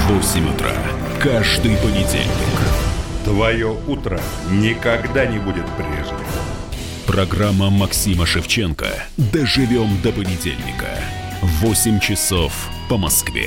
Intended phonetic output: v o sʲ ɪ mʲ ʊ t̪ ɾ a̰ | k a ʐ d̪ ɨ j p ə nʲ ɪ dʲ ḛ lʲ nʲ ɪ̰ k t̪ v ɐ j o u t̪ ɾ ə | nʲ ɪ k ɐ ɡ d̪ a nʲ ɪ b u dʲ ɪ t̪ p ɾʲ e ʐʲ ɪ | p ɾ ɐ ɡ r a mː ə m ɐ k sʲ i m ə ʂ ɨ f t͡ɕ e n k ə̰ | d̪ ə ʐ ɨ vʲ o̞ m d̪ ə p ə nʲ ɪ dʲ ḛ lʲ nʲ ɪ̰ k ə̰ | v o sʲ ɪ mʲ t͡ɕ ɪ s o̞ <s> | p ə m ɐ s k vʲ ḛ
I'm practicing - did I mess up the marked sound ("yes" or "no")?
yes